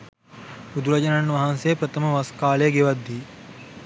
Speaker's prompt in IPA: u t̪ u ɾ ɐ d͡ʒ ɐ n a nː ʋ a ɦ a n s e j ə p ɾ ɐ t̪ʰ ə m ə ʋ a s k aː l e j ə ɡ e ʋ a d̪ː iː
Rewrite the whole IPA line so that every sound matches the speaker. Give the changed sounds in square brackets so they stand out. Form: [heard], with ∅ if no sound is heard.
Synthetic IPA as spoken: u [d̪] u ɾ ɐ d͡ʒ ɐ n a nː ʋ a ɦ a n s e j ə p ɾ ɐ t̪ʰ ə m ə ʋ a s k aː l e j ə ɡ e ʋ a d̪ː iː